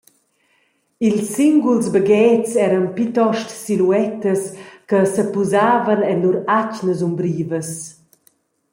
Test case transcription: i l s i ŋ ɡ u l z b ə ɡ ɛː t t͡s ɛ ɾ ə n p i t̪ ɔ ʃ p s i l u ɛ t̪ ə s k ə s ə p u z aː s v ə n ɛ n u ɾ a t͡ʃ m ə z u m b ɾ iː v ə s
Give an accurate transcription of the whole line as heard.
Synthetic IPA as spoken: i l s i ŋ ɡ u l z b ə ɡ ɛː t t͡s ɛ ɾ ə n p i t̪ ɔ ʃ t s i l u ɛ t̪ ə s k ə s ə p u z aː v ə n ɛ n u ɾ a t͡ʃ n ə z u m b ɾ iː v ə s

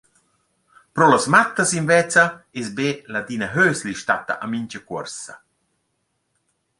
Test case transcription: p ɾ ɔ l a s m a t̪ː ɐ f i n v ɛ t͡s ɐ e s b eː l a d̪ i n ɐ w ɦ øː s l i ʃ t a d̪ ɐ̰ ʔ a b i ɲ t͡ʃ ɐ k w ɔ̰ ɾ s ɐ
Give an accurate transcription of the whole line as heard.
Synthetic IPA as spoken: p ɾ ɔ l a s m a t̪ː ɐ s i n v ɛ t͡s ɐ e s b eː l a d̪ i n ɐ ɦ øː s l i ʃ t a t̪ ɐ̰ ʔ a m i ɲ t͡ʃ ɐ k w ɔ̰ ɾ s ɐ

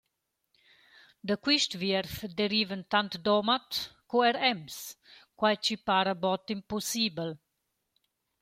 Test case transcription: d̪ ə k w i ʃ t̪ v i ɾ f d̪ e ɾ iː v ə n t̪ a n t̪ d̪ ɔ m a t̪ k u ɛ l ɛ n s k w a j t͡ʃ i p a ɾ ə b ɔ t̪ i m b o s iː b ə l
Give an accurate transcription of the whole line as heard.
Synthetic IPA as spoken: d̪ ə k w i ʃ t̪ v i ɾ f d̪ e ɾ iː v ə n t̪ a n t̪ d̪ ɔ m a t̪ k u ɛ ɾ ɛ m s k w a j t͡ʃ i p a ɾ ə b ɔ t̪ i m p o s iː b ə l

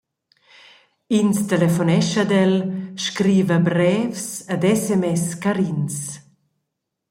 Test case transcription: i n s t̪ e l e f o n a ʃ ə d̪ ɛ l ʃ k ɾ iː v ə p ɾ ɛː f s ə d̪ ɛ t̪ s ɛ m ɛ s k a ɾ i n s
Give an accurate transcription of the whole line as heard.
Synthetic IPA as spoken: i n s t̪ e l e f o n ɛ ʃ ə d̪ ɛ l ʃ k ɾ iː v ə b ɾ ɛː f s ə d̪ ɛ s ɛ m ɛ s k a ɾ i n s

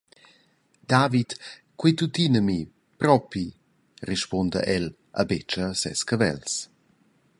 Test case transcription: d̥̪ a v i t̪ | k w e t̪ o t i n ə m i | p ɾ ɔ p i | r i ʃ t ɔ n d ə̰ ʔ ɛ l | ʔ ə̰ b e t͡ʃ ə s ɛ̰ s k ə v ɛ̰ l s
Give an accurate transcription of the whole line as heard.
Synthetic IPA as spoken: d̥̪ a v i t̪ | k w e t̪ u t i n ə m i | p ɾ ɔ p i | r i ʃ p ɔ n d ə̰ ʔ ɛ l | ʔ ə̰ b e t͡ʃ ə s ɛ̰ s k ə v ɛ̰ l s

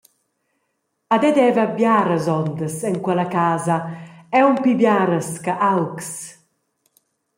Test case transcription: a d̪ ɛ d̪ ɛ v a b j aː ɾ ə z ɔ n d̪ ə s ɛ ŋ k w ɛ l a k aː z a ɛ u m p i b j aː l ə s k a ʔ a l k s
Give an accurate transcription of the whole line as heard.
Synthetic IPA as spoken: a d̪ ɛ d̪ ɛ v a b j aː ɾ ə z ɔ n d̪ ə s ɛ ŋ k w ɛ l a k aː z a ɛ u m p i b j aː ɾ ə s k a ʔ a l k s

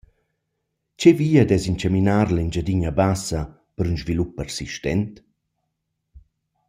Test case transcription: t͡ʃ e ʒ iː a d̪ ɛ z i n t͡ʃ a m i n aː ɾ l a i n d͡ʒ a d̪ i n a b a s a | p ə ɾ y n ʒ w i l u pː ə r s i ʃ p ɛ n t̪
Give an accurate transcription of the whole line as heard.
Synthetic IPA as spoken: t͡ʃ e v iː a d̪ ɛ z i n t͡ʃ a m i n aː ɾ l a i n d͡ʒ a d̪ i ɲ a b a s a | p ə ɾ y n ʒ v i l u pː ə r s i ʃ t ɛ n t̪

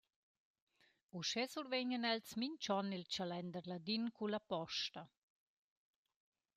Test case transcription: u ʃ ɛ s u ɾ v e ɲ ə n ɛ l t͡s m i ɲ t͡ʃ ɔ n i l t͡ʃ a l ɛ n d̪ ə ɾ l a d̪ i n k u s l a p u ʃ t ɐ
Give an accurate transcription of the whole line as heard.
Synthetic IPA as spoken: u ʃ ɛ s u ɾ v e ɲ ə n ɛ l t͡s m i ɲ t͡ʃ ɔ n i l t͡ʃ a l ɛ n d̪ ə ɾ l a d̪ i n k u l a p ɔ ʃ t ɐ

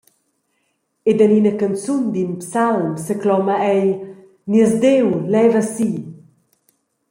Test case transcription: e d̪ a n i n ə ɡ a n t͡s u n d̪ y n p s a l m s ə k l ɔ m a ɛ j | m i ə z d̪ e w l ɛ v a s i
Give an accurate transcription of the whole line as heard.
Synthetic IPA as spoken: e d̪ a n i n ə k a n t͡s u n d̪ i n p s a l m s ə k l ɔ m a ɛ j | n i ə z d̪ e w l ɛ v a s i

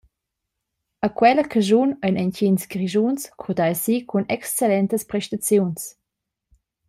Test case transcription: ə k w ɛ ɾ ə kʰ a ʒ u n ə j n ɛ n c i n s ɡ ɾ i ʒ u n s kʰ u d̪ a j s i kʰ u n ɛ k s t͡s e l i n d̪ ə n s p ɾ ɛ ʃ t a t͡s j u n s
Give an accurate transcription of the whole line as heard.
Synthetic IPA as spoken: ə k w ɛ l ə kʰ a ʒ u n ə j n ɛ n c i n s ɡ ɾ i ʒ u n s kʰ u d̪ a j s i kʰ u n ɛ k s t͡s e l ɛ n t̪ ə s p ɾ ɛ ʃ t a t͡s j u n s

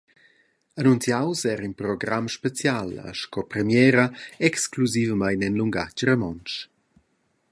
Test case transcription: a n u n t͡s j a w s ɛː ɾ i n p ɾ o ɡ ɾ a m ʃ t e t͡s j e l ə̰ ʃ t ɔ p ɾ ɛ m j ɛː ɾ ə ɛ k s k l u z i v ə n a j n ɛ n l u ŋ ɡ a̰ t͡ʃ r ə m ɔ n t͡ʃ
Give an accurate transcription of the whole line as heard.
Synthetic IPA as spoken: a n u n t͡s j a w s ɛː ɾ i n p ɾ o ɡ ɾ a m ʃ p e t͡s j a l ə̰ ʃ k ɔ p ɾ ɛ m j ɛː ɾ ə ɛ k s k l u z i v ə m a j n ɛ n l u ŋ ɡ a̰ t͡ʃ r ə m ɔ n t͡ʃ

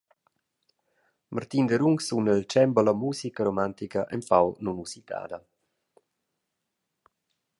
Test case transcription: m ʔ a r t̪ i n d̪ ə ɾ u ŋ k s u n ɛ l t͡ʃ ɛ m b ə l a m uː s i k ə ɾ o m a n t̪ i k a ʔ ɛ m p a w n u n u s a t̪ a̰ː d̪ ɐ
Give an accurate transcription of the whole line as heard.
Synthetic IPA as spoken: m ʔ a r t̪ i n d̪ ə ɾ u ŋ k s u n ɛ l t͡ʃ ɛ m b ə l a m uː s i k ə ɾ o m a n t̪ i k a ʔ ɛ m p a w n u n u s i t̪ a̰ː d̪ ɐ

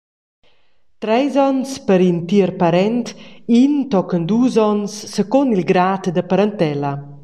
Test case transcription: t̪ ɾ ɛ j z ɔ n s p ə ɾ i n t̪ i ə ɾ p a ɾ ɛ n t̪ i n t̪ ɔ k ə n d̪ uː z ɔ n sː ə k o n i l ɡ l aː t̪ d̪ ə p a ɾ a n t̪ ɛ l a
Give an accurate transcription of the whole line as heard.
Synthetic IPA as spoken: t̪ ɾ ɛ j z ɔ n s p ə ɾ i n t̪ i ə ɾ p a ɾ ɛ n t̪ i n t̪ ɔ k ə n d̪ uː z ɔ n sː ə k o n i l ɡ ɾ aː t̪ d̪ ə p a ɾ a n t̪ ɛ l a

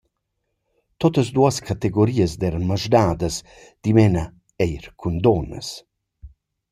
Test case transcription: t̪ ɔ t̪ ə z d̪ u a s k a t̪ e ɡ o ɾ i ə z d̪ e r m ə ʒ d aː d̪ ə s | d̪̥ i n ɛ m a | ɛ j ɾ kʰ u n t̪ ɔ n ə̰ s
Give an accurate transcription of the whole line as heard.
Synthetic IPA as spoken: t̪ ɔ t̪ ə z d̪ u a s k a t̪ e ɡ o ɾ i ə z d̪ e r m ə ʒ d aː d̪ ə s | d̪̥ i m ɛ n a | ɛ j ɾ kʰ u n d̪ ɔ n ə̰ s

